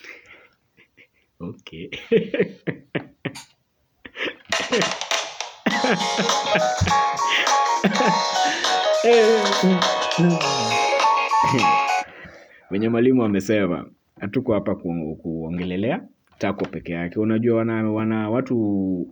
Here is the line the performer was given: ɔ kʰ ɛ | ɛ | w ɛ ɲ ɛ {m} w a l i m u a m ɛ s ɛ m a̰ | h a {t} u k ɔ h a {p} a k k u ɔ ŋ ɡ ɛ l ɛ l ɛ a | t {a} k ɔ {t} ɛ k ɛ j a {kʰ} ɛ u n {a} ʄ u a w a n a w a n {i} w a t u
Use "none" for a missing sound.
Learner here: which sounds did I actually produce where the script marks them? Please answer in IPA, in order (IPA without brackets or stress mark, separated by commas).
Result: m, t, p, a, p, k, a, a